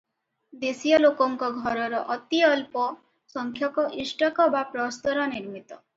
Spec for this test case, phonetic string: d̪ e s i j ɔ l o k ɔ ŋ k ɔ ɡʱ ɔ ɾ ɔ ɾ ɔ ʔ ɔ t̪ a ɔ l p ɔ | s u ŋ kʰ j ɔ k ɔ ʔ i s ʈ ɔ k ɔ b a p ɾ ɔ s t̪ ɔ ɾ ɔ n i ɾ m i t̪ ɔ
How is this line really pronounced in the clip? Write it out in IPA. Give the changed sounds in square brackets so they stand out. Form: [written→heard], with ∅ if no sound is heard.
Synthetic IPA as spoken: d̪ e s i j ɔ l o k ɔ ŋ k ɔ ɡʱ ɔ ɾ ɔ ɾ ɔ ʔ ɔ t̪ [a→i] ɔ l p ɔ | s [u→ɔ] ŋ kʰ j ɔ k ɔ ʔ i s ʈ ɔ k ɔ b a p ɾ ɔ s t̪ ɔ ɾ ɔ n i ɾ m i t̪ ɔ